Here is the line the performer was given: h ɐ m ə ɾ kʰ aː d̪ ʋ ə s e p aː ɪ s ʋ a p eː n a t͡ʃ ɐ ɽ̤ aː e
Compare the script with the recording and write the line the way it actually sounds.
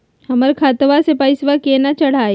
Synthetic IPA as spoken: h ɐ m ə ɾ kʰ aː t̪ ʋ a s e p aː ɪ s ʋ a k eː n a t͡ʃ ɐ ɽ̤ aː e